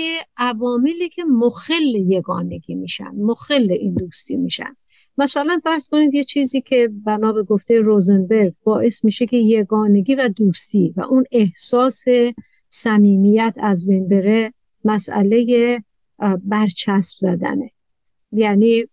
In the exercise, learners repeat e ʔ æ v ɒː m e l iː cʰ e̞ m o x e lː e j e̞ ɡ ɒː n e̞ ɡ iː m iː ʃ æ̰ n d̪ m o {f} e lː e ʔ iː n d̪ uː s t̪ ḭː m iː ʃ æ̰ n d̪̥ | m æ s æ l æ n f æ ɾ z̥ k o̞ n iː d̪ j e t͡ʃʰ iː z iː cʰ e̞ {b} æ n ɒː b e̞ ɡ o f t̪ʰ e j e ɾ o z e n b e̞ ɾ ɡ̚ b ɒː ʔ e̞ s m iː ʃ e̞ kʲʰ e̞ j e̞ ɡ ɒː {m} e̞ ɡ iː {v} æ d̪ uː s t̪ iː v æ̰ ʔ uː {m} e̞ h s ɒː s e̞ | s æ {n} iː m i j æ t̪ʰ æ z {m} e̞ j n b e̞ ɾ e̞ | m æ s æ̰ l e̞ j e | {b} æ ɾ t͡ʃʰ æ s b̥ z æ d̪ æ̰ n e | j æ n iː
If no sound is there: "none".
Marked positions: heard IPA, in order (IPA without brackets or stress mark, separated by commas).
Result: x, b, n, v, n, m, b, b